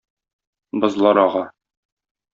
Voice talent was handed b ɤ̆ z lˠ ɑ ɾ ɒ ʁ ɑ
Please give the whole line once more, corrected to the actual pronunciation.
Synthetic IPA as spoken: b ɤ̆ z lˠ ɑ ɾ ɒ ʁ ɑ